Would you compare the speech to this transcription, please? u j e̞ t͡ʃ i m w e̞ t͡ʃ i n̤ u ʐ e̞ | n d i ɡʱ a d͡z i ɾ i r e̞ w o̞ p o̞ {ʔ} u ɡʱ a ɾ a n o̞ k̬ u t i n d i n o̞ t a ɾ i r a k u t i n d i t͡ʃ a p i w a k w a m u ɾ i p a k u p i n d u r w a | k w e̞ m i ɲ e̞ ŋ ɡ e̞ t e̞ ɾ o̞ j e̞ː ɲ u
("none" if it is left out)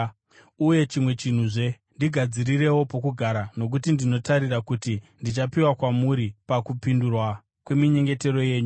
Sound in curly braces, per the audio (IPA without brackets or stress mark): k